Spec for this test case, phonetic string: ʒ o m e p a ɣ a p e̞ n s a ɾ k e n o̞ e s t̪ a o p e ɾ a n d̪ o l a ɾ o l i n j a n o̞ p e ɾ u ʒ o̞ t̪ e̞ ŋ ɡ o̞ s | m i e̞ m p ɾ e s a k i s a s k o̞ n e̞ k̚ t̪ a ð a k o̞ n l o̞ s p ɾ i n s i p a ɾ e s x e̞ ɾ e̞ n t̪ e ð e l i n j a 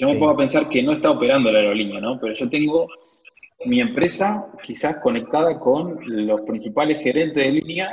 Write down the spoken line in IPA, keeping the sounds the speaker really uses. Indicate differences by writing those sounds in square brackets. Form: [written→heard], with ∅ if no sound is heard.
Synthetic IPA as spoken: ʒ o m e p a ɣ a p e̞ n s a ɾ k e n o̞ e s t̪ a o p e ɾ a n d̪ o l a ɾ o l i n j a n o̞ p e ɾ [u→o] ʒ o̞ t̪ e̞ ŋ ɡ o̞ [s→∅] | m i e̞ m p ɾ e s a k i s a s k o̞ n e̞ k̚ t̪ a ð a k o̞ n l o̞ s p ɾ i n s i p a [ɾ→l] e s x e̞ ɾ e̞ n t̪ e ð e l i n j a